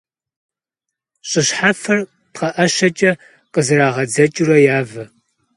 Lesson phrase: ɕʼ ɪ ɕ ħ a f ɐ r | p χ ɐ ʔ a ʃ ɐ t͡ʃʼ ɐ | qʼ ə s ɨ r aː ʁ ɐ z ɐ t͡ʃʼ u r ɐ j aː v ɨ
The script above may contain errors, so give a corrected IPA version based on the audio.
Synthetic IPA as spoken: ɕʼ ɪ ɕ ħ a f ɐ r | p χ ɐ ʔ ɐ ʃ ɐ t͡ʃʼ ɐ | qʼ ə z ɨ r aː ʁ ɐ d͡z ɐ t͡ʃʼ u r ɐ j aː v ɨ